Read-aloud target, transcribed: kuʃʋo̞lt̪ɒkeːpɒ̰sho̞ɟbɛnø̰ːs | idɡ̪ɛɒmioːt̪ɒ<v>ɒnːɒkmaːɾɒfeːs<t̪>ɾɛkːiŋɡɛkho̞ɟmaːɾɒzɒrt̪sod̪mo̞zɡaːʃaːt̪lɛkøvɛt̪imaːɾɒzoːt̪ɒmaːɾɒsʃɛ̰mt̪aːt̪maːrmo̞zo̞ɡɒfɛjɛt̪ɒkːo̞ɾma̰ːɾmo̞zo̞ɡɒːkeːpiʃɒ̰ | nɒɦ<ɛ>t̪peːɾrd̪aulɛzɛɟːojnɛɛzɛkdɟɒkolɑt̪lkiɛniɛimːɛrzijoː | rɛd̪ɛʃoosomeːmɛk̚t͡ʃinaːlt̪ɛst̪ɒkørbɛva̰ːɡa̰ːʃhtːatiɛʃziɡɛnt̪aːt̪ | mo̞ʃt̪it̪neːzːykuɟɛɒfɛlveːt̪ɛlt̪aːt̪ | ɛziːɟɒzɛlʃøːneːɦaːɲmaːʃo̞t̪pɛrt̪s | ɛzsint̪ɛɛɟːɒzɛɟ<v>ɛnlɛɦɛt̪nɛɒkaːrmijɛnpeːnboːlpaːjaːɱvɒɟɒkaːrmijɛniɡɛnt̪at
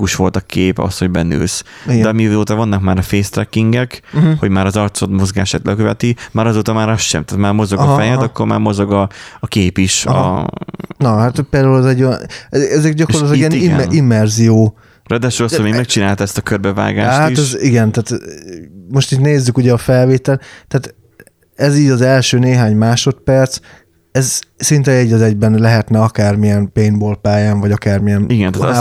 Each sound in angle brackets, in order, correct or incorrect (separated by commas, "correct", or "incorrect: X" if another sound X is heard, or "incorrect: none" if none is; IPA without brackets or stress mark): correct, correct, incorrect: a, incorrect: b